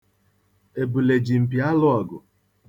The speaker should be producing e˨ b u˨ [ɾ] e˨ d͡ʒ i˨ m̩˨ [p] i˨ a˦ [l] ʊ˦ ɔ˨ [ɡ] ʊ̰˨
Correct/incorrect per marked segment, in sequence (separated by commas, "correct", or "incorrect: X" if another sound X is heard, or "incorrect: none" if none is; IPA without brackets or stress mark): incorrect: l, correct, correct, correct